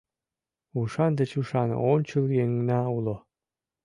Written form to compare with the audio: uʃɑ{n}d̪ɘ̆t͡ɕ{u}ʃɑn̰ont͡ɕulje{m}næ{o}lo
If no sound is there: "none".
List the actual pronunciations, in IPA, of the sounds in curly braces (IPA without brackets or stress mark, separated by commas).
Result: n, u, ŋ, u